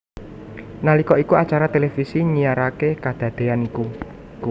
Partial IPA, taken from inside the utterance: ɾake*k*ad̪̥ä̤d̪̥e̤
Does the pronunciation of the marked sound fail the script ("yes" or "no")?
no